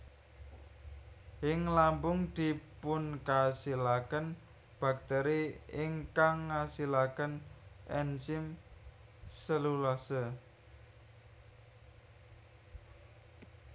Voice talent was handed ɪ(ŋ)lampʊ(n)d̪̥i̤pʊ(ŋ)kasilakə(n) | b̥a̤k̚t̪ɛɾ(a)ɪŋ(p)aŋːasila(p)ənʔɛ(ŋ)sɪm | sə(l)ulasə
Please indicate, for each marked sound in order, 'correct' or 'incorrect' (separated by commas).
correct, incorrect, incorrect, correct, incorrect, incorrect, incorrect, incorrect, correct